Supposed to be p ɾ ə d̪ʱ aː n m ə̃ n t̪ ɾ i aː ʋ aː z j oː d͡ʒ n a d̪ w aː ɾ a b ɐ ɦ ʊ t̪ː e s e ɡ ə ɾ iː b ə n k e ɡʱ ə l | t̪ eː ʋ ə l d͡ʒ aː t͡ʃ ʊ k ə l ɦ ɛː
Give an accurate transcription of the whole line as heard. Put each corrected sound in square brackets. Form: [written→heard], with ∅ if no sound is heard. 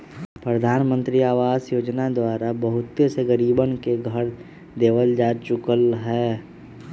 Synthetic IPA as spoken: p ɾ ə d̪ʱ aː n m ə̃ n t̪ ɾ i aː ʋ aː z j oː d͡ʒ n a d̪ w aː ɾ a b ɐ ɦ ʊ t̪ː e s e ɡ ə ɾ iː b ə n k e ɡʱ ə [l→ɾ] | [t̪→d̪] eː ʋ ə l d͡ʒ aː t͡ʃ ʊ k ə l ɦ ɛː